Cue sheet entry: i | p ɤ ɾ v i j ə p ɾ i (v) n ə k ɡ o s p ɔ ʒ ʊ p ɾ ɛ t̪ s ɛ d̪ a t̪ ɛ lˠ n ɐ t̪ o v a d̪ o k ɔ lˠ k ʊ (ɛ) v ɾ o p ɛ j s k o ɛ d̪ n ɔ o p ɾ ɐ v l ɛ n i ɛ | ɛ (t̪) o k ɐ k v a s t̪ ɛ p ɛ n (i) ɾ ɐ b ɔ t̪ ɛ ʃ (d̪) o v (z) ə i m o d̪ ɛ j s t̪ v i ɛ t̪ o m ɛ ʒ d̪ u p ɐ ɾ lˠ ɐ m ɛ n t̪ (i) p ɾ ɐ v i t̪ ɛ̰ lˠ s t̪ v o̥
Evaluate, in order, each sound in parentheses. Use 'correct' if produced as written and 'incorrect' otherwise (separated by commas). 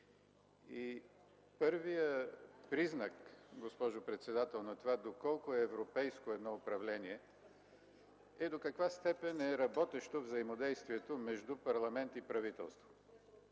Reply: incorrect, incorrect, incorrect, incorrect, incorrect, correct, correct